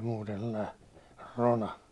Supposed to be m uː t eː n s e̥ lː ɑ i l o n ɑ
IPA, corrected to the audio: m uː t e n s e̥ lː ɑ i r o n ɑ